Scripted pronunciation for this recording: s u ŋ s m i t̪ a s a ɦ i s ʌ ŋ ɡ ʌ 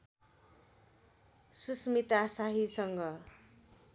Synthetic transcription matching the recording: s u s m i t̪ a s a ɦ i s ʌ ŋ ɡ ʌ